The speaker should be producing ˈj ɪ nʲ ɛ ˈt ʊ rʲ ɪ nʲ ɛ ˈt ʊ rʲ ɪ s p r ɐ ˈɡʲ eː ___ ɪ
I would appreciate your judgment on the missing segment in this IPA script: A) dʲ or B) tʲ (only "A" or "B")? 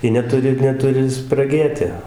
B